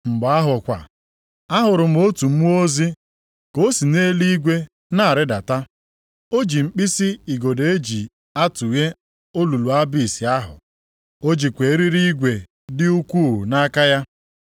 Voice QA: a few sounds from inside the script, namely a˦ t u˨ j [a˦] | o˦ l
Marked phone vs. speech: incorrect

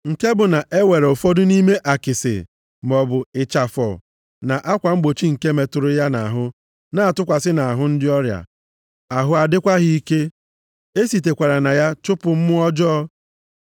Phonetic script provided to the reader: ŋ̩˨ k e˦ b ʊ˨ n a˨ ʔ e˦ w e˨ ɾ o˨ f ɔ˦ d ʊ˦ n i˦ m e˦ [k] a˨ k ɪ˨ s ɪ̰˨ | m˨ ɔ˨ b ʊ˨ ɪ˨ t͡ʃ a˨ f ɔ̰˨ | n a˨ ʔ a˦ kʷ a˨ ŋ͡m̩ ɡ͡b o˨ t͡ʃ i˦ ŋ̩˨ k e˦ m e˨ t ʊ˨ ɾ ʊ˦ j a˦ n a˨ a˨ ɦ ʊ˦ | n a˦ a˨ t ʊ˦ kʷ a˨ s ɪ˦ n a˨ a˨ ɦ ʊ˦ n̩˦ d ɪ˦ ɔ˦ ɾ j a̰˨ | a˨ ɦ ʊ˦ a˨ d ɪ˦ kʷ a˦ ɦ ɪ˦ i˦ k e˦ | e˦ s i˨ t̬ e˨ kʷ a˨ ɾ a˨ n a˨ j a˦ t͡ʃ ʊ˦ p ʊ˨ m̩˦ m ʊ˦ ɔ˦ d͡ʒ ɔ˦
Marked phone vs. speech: incorrect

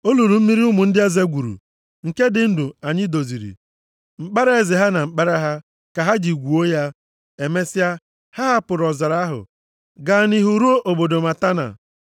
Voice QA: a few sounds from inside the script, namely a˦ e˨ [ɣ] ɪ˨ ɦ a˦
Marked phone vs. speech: incorrect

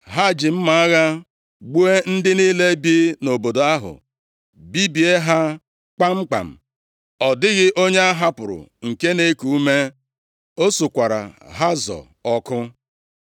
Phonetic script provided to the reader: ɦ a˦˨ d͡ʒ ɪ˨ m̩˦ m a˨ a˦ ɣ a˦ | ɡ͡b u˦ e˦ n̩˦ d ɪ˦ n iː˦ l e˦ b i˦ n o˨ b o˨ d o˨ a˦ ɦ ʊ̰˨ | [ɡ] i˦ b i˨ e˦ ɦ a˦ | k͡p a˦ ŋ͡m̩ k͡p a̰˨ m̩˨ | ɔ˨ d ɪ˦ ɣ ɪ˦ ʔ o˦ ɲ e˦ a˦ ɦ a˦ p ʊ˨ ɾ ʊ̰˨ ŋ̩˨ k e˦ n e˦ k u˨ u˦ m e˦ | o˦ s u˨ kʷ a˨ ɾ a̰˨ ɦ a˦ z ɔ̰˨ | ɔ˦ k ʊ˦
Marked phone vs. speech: incorrect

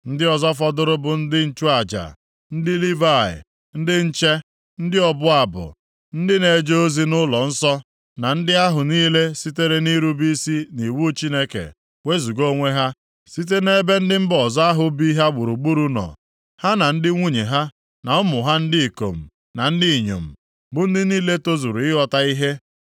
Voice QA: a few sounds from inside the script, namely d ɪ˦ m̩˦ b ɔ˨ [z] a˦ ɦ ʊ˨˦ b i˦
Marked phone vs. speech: correct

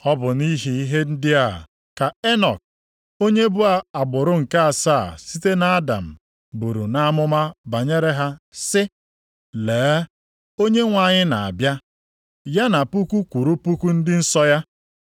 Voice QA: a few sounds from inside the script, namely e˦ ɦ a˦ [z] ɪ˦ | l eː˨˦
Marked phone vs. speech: incorrect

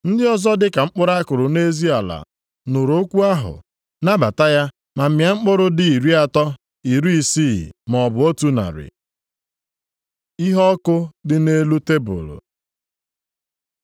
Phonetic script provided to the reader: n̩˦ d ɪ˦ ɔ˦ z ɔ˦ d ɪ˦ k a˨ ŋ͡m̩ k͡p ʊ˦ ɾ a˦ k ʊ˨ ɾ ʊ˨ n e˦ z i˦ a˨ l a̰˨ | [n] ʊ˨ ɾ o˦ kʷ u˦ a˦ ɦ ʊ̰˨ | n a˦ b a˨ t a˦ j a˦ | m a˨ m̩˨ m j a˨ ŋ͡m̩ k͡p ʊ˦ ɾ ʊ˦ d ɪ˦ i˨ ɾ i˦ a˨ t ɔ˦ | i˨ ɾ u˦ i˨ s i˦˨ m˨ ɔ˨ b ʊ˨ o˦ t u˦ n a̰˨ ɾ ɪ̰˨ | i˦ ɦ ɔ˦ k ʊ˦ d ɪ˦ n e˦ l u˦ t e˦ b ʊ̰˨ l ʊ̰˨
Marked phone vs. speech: correct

